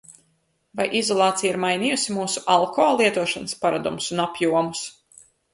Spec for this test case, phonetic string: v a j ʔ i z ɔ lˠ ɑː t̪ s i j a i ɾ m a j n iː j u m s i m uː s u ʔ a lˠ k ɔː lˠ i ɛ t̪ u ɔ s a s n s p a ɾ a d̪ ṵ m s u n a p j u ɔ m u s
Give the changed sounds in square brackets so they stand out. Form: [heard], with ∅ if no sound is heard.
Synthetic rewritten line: v a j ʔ i z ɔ lˠ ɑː t̪ s i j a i ɾ m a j n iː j u [∅] s i m uː s u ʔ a lˠ k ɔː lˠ i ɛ t̪ u ɔ [ʃ] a [∅] n s p a ɾ a d̪ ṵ m s u n a p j u ɔ m u s